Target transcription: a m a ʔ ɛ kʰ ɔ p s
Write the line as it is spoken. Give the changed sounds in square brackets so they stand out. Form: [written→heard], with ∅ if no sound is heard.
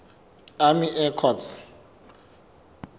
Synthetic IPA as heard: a m [a→i] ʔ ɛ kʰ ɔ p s